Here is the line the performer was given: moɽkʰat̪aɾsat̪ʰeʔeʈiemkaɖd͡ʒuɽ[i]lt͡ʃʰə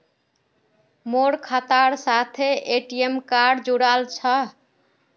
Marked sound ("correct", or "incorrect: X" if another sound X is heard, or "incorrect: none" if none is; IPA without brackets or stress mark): incorrect: a